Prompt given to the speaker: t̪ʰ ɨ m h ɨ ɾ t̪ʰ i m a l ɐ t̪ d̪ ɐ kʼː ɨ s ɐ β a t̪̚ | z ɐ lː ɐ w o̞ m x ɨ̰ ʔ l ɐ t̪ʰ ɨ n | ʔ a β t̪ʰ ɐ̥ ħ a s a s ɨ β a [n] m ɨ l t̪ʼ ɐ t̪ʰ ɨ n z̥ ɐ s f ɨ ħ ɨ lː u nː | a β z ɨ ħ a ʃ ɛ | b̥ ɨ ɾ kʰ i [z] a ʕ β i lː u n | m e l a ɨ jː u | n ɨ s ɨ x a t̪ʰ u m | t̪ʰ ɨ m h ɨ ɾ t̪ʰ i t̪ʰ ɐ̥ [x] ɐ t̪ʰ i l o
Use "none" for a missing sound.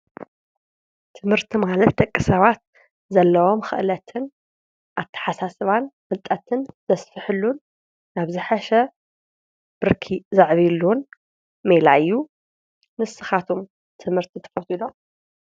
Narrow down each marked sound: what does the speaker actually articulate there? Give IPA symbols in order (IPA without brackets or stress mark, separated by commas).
n, z, f